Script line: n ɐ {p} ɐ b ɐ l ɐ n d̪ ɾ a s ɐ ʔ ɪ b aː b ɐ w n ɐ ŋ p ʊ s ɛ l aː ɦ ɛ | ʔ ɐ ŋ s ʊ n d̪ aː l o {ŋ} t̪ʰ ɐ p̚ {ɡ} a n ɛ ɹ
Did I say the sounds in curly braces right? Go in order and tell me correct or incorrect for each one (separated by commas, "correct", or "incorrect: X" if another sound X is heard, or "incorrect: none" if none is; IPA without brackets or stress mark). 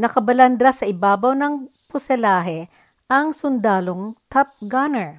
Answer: incorrect: k, correct, correct